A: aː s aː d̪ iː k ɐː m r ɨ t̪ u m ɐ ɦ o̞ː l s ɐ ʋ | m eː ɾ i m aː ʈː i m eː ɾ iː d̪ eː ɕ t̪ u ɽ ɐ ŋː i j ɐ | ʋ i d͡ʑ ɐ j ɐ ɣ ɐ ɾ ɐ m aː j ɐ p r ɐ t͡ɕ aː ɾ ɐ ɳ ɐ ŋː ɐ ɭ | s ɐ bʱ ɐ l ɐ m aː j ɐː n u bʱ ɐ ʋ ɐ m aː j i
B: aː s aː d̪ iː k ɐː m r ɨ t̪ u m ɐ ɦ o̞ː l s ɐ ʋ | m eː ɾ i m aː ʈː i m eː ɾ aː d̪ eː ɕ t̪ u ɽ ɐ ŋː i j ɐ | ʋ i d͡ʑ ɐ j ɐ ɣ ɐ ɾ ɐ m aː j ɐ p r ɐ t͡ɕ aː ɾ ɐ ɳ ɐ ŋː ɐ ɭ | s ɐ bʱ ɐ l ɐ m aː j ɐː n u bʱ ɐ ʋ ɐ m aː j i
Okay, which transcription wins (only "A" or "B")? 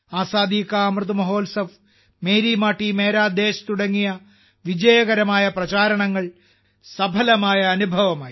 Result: B